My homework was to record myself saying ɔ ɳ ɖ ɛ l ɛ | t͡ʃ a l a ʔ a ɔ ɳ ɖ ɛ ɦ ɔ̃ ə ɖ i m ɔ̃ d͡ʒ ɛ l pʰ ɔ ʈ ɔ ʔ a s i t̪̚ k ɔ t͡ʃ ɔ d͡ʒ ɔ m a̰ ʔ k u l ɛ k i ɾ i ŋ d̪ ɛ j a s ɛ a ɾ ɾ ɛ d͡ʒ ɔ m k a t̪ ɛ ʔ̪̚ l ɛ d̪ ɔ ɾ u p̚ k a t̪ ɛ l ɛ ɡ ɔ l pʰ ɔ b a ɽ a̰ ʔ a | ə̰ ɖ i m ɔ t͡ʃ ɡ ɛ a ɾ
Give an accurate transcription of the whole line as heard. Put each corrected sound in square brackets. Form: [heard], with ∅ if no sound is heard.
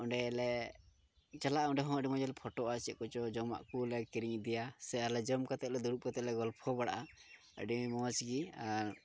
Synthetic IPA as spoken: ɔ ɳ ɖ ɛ l ɛ | t͡ʃ a l a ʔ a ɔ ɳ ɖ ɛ ɦ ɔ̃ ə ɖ i m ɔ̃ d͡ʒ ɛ l pʰ ɔ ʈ ɔ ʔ a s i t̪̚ k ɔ t͡ʃ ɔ d͡ʒ ɔ m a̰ ʔ k u l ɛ k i ɾ i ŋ d̪ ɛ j a s ɛ a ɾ [l] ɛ d͡ʒ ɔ m k a t̪ ɛ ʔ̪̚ l ɛ d̪ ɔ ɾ u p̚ k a t̪ ɛ l ɛ ɡ ɔ l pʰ ɔ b a ɽ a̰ ʔ a | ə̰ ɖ i m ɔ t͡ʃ ɡ [i] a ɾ

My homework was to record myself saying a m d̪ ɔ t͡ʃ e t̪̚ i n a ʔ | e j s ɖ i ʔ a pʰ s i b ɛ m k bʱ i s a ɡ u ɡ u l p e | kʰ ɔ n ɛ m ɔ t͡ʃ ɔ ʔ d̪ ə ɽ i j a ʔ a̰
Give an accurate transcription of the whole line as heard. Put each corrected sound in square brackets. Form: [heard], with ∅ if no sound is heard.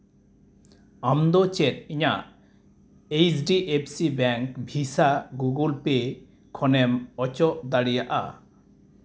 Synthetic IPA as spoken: a m d̪ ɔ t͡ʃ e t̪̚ i [ɲ] a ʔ | e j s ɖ i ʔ [e] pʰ s i b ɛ [ŋ] k bʱ i s a ɡ u ɡ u l p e | kʰ ɔ n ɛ m ɔ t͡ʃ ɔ ʔ d̪ [a] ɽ i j a ʔ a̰

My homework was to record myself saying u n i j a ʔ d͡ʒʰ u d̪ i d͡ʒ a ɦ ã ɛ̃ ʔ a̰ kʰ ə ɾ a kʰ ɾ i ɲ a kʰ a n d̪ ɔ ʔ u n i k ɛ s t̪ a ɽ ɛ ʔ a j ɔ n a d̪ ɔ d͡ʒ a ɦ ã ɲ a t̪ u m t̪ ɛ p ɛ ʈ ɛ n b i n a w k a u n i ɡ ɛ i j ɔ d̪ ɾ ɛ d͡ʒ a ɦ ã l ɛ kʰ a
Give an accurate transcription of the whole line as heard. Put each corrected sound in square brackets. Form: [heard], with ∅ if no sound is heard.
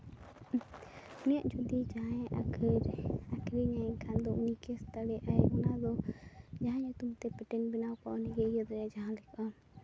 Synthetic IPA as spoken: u n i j a ʔ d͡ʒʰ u d̪ i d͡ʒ a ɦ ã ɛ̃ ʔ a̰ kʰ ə ɾ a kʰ ɾ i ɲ a kʰ a n d̪ ɔ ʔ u n i k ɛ s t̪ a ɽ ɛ ʔ a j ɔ n a d̪ ɔ d͡ʒ a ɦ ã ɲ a t̪ u m t̪ ɛ p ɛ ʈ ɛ n b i n a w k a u n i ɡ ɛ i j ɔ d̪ ɾ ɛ d͡ʒ a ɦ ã l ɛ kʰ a

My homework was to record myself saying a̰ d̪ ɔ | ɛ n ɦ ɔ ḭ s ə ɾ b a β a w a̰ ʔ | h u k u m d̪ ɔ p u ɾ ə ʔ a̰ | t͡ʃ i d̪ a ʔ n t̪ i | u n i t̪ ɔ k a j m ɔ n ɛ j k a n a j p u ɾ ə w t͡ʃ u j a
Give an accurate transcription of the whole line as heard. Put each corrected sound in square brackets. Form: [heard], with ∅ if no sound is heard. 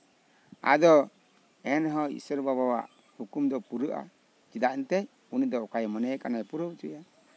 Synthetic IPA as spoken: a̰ d̪ ɔ | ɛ n ɦ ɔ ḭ s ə ɾ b a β a w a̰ ʔ | h u k u m d̪ ɔ p u ɾ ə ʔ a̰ | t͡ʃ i d̪ a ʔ n t̪ [ɛ] | u n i [d̪] ɔ k a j m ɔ n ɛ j k a n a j p u ɾ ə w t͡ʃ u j a

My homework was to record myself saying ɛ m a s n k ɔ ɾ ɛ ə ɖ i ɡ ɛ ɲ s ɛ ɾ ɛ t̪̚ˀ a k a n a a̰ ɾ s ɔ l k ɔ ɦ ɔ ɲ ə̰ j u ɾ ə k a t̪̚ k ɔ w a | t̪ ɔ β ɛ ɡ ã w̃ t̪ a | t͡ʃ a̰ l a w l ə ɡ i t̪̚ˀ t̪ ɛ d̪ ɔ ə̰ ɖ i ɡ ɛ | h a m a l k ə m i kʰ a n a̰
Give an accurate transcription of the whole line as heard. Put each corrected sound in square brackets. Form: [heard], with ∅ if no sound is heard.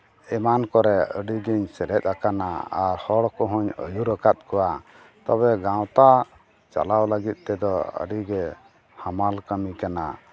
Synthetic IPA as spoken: ɛ m a [∅] n k ɔ ɾ ɛ ə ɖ i ɡ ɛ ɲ s ɛ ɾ ɛ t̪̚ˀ a k a n a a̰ ɾ [h] ɔ [ɽ] k ɔ ɦ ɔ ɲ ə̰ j u ɾ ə k a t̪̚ k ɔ w a | t̪ ɔ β ɛ ɡ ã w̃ t̪ a | t͡ʃ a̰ l a w l ə ɡ i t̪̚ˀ t̪ ɛ d̪ ɔ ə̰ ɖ i ɡ ɛ | h a m a l k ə m i [k] a n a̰

